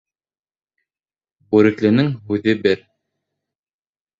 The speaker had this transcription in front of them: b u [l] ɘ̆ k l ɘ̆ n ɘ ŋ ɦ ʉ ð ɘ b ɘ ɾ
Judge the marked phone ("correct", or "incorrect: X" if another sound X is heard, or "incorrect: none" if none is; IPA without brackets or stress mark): incorrect: ɾ